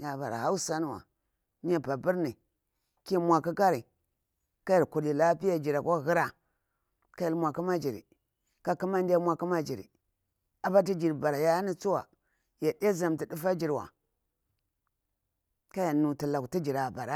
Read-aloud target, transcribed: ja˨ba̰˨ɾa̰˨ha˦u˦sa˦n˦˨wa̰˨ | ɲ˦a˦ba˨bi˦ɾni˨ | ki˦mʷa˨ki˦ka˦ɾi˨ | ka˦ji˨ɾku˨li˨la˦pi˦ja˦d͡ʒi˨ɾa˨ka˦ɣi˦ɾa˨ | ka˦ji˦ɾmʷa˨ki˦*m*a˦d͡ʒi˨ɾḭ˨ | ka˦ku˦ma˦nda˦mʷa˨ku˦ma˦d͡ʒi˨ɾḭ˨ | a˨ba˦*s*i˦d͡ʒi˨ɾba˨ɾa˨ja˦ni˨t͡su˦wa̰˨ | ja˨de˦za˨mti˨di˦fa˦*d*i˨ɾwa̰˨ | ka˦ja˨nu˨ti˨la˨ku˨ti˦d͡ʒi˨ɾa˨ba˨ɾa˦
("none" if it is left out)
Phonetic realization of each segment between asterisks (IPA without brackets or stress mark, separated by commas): m, t, d͡ʒ